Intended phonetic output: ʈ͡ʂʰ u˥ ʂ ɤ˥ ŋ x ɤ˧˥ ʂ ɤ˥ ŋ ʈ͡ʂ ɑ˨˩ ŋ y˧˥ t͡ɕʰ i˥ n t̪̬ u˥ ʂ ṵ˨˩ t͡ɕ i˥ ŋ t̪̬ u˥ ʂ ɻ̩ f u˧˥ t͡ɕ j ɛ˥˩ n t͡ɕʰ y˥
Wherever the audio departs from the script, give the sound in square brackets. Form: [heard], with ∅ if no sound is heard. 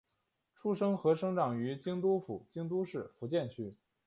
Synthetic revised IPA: ʈ͡ʂʰ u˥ ʂ ɤ˥ ŋ x ɤ˧˥ ʂ ɤ˥ ŋ ʈ͡ʂ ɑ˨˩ ŋ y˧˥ [t͡ɕ] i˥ [ŋ] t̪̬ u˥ [f] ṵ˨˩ t͡ɕ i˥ ŋ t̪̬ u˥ ʂ ɻ̩ f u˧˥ t͡ɕ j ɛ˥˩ n t͡ɕʰ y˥